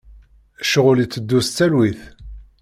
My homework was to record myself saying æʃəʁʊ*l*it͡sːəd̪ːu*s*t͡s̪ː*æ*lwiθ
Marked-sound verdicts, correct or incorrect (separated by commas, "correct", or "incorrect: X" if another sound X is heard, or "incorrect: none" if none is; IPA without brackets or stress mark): correct, correct, correct